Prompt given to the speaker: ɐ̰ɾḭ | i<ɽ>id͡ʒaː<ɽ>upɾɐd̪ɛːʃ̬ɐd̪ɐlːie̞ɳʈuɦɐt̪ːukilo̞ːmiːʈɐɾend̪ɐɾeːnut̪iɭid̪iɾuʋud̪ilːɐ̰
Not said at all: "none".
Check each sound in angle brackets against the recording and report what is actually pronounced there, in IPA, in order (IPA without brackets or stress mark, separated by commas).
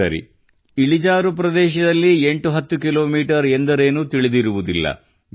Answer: ɭ, ɾ